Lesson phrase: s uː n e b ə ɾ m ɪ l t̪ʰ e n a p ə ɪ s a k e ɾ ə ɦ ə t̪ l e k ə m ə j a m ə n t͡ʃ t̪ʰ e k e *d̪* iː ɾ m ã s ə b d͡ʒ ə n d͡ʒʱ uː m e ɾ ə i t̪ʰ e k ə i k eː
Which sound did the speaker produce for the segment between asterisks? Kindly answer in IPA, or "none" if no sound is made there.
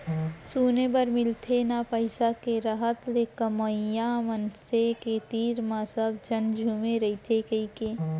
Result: t̪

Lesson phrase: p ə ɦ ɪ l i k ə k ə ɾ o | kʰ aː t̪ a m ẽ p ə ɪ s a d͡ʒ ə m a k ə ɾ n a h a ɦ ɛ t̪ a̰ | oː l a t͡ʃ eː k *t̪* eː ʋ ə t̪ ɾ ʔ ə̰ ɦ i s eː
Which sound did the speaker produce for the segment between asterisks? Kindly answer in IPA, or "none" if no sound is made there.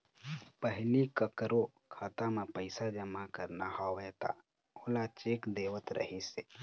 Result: d̪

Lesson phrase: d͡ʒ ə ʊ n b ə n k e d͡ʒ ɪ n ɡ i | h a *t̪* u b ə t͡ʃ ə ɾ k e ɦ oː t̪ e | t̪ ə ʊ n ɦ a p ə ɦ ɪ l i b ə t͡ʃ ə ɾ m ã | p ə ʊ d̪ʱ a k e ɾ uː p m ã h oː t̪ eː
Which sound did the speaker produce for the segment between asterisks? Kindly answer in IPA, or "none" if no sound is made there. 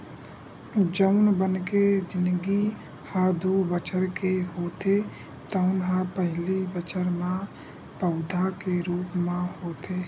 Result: d̪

